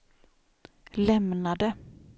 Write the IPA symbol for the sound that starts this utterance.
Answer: l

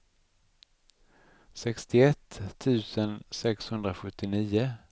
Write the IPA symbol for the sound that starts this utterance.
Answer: s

